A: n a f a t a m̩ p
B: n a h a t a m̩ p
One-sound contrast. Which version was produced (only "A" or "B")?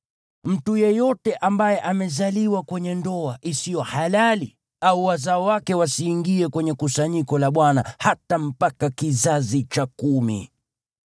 B